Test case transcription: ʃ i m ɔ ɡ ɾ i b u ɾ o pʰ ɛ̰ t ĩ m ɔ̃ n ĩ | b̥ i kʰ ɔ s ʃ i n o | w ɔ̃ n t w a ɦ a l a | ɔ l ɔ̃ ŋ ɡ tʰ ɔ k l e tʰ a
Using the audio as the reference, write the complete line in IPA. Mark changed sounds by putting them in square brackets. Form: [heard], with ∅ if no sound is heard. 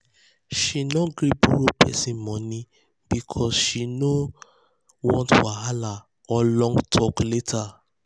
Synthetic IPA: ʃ i [n] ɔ ɡ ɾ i b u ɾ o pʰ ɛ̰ [s] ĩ m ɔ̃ n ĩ | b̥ i kʰ ɔ s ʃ i n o | w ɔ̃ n t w a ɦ a l a | ɔ l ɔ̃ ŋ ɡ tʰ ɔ k l e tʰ a